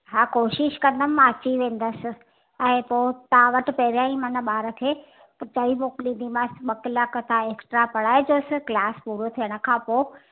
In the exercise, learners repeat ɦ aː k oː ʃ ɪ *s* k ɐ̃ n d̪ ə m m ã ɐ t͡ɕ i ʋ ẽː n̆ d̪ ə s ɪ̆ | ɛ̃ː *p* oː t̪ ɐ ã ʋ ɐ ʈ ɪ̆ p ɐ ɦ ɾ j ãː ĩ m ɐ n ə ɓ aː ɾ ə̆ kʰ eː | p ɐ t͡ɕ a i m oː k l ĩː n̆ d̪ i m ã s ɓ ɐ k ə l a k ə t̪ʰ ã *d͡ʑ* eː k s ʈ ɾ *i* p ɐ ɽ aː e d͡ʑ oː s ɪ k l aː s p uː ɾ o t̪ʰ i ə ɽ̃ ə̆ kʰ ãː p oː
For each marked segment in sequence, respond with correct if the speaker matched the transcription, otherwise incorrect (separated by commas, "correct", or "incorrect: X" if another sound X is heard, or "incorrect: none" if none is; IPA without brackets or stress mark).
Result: incorrect: ʃ, correct, incorrect: none, incorrect: a